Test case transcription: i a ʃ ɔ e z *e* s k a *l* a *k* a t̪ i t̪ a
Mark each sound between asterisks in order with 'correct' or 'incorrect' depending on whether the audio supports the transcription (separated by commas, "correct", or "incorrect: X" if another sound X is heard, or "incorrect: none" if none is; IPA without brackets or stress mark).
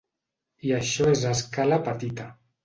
incorrect: a, correct, incorrect: p